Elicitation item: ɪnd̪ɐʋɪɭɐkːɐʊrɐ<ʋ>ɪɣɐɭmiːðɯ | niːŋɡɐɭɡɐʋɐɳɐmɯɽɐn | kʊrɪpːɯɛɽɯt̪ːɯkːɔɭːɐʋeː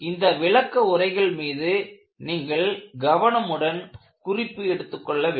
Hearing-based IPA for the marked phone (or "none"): none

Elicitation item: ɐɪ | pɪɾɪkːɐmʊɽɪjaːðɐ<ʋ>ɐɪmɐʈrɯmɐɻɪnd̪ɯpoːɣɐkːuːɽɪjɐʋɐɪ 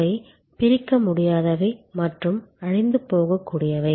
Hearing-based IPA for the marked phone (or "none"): ʋ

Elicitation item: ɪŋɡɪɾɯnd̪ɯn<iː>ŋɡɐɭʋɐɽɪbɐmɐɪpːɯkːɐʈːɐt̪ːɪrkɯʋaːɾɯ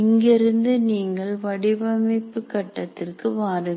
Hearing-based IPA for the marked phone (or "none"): iː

